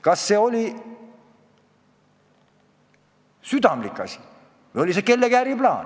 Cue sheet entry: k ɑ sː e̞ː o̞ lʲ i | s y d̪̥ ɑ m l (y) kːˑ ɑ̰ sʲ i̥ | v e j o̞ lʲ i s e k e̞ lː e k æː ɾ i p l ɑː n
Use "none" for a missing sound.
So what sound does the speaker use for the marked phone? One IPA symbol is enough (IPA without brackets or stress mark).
i